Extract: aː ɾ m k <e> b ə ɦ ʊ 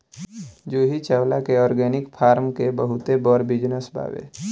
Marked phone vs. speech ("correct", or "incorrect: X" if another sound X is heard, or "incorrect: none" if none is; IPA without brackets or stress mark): correct